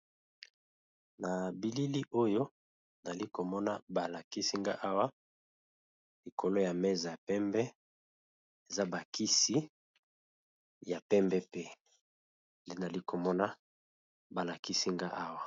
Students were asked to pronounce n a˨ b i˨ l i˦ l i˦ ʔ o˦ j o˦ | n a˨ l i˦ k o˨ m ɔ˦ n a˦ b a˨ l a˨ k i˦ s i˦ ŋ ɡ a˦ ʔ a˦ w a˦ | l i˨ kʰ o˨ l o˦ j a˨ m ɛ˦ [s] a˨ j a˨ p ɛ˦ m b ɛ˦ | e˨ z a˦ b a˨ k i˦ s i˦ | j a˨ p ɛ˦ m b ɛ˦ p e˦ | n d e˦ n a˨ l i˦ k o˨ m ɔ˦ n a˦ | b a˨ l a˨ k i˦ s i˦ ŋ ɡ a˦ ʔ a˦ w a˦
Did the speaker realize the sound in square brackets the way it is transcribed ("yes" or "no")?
no